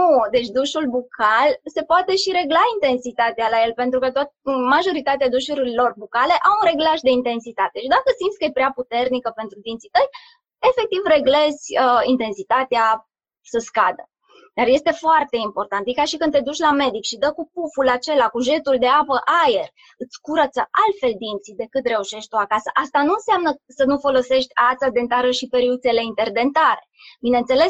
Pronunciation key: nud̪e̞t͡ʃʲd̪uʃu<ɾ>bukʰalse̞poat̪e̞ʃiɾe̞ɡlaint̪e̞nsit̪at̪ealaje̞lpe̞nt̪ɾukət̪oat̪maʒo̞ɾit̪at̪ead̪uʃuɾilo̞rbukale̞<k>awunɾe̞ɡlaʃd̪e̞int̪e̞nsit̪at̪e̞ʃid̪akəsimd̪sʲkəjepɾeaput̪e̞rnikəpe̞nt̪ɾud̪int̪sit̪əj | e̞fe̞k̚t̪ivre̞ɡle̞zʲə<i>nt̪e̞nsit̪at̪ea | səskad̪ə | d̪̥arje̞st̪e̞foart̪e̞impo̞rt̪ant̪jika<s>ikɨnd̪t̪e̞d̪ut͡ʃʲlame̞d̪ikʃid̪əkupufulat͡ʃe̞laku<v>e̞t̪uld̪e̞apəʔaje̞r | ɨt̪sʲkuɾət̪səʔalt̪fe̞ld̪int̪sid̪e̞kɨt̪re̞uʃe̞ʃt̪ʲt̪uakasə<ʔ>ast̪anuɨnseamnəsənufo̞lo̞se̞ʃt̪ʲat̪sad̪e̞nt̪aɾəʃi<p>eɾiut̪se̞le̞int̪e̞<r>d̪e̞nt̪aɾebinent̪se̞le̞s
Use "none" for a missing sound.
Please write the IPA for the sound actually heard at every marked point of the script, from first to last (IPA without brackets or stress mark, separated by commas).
l, ʔ, i, ʃ, ʒ, ʔ, p, r